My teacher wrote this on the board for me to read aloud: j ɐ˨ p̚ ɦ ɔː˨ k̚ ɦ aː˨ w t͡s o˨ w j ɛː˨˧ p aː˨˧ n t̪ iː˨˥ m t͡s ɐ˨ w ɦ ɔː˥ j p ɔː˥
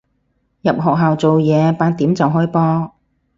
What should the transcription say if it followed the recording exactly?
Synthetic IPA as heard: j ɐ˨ p̚ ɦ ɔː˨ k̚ ɦ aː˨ w t͡s o˨ w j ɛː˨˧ p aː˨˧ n t̪ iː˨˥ m t͡s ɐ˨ w ɦ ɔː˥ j p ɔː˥